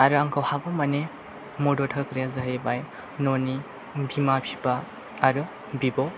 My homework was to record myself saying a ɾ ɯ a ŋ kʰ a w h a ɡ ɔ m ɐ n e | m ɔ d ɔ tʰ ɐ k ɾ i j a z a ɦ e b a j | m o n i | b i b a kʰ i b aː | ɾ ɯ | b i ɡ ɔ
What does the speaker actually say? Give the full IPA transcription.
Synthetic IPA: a ɾ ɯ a ŋ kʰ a w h a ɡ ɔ m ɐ n e | m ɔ d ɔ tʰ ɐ k ɾ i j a z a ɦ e b a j | n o n i | b i m a pʰ i b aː | ɾ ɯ | b i b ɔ

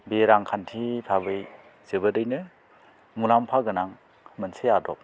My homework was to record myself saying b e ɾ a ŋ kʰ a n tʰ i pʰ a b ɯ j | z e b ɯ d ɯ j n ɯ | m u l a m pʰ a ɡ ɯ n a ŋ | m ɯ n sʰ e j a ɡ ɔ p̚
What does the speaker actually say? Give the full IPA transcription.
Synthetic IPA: b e ɾ a ŋ kʰ a n tʰ i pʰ a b ɯ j | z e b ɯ d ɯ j n ɯ | m u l a m pʰ a ɡ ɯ n a ŋ | m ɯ n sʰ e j a d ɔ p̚

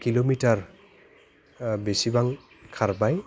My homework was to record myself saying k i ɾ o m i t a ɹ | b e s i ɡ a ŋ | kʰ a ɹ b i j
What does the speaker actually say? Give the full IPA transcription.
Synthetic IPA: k i l o m i t a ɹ | b e s i b a ŋ | kʰ a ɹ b a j

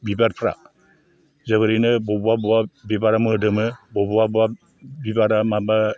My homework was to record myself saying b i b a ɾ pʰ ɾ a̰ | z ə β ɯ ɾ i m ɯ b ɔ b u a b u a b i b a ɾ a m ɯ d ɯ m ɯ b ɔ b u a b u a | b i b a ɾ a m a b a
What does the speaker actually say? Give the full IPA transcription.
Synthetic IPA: b i b a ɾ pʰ ɾ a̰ | z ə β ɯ ɾ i n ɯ b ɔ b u a b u a b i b a ɾ a m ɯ d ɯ m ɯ b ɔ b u a b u a | b i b a ɾ a m a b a

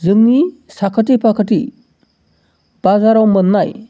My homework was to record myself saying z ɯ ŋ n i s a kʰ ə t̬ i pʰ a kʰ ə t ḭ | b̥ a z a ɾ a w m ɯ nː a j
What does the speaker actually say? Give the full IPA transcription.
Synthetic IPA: z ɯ ŋ n i s a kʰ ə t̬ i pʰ a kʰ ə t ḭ | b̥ a z a ɾ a w m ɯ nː a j

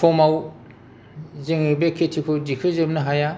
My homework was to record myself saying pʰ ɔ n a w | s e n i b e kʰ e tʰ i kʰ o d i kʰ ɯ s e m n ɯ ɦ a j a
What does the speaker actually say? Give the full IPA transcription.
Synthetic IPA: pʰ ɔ m a w | z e ŋ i b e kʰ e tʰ i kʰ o d i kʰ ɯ z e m n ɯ ɦ a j a

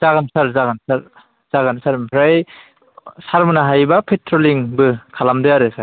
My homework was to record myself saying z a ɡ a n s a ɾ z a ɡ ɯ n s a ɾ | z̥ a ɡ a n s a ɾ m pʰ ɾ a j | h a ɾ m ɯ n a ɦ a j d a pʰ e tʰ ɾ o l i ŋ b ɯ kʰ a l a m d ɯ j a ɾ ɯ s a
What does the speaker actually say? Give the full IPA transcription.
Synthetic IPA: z a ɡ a n s a ɾ z a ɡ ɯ n s a ɾ | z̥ a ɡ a n s a ɾ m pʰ ɾ a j | s a ɾ m ɯ n a ɦ a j b a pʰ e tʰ ɾ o l i ŋ b ɯ kʰ a l a m d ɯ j a ɾ ɯ s a

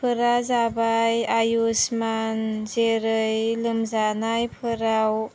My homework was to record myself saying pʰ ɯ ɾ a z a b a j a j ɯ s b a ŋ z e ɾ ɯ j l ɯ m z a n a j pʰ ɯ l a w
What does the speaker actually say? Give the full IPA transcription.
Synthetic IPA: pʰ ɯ ɾ a z a b a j a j u s m a n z e ɾ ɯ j l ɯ m z a n a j pʰ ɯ ɾ a w

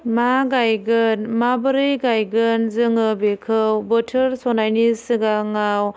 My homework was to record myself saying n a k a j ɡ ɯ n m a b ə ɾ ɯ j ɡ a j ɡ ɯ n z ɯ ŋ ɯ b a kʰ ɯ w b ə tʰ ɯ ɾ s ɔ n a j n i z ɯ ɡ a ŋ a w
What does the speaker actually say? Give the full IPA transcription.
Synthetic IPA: m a ɡ a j ɡ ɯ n m a b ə ɾ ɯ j ɡ a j ɡ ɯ n z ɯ ŋ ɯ b e kʰ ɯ w b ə tʰ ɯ ɾ s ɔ n a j n i s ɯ ɡ a ŋ a w

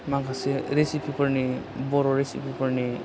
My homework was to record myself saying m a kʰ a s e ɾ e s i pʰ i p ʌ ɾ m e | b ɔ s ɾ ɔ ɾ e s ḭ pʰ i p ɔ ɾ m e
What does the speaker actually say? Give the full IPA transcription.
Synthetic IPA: m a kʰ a s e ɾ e s i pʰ i p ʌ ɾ n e | b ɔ ɾ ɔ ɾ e s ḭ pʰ i p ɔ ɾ n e

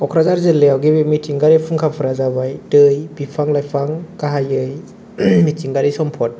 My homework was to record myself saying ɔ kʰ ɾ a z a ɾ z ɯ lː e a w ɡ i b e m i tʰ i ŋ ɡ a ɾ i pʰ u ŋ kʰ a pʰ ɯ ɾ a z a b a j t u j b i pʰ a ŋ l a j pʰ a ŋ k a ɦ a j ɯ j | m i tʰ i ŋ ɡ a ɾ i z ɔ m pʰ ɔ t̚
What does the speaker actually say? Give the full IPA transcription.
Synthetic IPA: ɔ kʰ ɾ a z a ɾ z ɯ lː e a w ɡ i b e m i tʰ i ŋ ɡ a ɾ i pʰ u ŋ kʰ a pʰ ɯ ɾ a z a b a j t ɯ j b i pʰ a ŋ l a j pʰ a ŋ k a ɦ a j ɯ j | m i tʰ i ŋ ɡ a ɾ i s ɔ m pʰ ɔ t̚

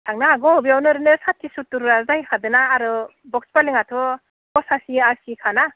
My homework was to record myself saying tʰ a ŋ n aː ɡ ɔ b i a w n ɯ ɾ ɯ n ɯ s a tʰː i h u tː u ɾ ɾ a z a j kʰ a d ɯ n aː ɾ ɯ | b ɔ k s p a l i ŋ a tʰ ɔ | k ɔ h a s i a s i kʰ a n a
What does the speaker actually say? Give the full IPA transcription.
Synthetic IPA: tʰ a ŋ n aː ɡ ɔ b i a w n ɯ ɾ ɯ n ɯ s a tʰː i s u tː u ɾ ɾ a z a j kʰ a d ɯ n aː ɾ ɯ | b ɔ k s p a l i ŋ a tʰ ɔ | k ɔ s a s i a s i kʰ a n a

